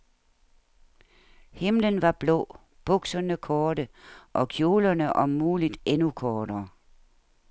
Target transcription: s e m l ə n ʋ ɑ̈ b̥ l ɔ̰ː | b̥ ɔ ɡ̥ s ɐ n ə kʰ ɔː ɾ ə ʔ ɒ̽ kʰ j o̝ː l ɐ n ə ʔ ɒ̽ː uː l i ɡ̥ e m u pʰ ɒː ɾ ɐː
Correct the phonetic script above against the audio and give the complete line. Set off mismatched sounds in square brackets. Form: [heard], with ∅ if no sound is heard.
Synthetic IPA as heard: [h] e m l ə n ʋ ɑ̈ b̥ l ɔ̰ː | b̥ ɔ ɡ̥ s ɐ n ə kʰ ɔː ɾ ə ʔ ɒ̽ kʰ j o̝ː l ɐ n ə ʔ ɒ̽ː uː l i [d̥] e [n] u [kʰ] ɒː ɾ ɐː